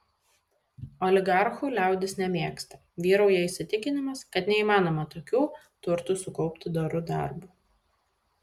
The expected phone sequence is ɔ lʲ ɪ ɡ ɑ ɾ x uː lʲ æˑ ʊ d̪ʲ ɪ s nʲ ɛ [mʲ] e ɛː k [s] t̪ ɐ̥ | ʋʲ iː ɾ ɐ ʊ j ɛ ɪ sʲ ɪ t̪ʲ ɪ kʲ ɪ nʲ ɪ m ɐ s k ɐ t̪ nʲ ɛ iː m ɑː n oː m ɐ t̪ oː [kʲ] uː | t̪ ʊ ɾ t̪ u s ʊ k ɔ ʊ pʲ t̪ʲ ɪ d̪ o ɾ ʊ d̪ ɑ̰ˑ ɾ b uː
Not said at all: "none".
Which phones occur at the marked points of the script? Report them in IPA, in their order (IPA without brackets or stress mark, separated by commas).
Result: mʲ, s, kʲ